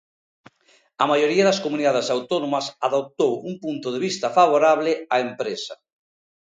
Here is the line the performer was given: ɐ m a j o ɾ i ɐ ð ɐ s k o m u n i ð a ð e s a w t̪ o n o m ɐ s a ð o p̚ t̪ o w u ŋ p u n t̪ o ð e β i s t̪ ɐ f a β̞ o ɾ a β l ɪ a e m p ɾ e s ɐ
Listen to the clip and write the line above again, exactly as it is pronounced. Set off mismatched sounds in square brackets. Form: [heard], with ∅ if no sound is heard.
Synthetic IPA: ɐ m a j o ɾ i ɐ ð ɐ s k o m u n i ð a ð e s a w t̪ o n o m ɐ s a ð o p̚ t̪ o w u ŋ p u n t̪ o ð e β i s t̪ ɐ f a β̞ o ɾ a β l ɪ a e m p ɾ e s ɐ

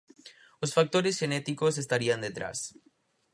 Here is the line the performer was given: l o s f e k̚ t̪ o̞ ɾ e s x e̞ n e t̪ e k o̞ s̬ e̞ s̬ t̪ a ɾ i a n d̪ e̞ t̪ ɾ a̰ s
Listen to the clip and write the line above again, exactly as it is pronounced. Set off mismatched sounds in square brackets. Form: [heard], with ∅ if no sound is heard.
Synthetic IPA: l o s f [a] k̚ t̪ o̞ ɾ e s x e̞ n e t̪ [i] k o̞ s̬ e̞ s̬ t̪ a ɾ i a n d̪ e̞ t̪ ɾ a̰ s

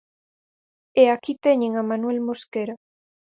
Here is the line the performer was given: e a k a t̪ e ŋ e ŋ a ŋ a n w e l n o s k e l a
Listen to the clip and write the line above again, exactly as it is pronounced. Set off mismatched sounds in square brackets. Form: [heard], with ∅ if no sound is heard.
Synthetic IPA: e a k [i] t̪ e [ɲ] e ŋ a [m] a n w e l [m] o s k e [ɾ] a

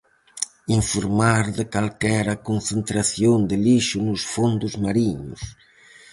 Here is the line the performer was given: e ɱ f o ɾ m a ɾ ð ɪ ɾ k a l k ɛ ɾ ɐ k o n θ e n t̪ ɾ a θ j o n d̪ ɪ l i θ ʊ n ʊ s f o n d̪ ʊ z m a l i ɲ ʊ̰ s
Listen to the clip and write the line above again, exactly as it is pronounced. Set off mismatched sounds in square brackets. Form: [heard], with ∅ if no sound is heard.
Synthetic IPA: [i] ɱ f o ɾ m a ɾ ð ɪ [∅] k a l k ɛ ɾ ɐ k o n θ e n t̪ ɾ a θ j o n d̪ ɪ l i [ʃ] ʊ n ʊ s f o n d̪ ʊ z m a [ɾ] i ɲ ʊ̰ s

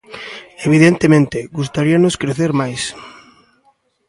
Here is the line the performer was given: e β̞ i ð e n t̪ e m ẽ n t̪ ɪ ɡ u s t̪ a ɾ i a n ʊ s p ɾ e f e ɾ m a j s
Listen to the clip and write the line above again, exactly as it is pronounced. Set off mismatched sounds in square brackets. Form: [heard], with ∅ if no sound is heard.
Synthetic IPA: e β̞ i ð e n t̪ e m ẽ n t̪ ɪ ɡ u s t̪ a ɾ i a n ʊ s [k] ɾ e [θ] e ɾ m a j s

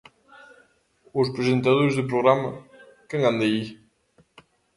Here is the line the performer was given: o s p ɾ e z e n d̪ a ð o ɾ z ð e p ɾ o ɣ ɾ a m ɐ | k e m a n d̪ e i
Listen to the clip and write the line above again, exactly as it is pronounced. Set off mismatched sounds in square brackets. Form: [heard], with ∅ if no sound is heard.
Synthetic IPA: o s p ɾ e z e n [t̪] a ð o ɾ z ð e p ɾ o ɣ ɾ a m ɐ | k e [ŋ] a n d̪ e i

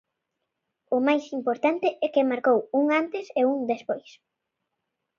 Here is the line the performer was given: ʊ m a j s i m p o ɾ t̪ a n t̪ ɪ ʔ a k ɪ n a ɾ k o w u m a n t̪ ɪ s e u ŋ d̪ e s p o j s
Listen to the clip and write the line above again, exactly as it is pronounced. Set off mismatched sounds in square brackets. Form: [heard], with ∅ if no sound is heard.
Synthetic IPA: ʊ m a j s i m p o ɾ t̪ a n t̪ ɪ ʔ [ɛ] k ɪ [m] a ɾ k o w u [ŋ] a n t̪ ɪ s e u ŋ d̪ e s p o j s

